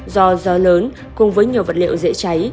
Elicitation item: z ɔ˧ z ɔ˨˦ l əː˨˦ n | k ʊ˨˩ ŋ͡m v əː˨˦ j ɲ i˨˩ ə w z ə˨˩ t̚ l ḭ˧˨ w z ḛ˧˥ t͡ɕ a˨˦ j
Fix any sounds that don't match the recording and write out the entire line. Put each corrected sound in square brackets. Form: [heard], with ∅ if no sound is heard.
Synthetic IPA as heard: z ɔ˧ z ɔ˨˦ l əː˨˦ n | k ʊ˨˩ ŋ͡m v əː˨˦ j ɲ i˨˩ ə w [v] ə˨˩ t̚ l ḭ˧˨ w z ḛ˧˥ t͡ɕ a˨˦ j